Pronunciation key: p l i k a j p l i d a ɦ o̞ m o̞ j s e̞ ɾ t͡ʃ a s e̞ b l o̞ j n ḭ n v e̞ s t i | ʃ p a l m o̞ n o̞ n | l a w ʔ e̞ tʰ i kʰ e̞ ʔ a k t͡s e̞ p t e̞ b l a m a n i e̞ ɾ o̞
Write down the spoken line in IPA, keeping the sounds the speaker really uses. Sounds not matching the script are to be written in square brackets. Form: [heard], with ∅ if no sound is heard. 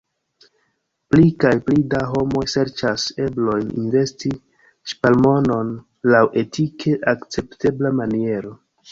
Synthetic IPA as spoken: p l i k a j p l i d a ɦ o̞ m o̞ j s e̞ ɾ t͡ʃ a s e̞ b l o̞ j n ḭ n v e̞ s t i | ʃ p a l m o̞ n o̞ n | l a w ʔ e̞ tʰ i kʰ e̞ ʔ a k t͡s e̞ p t e̞ b l a m a n i e̞ ɾ o̞